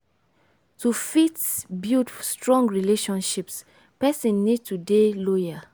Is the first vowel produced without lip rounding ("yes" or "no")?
no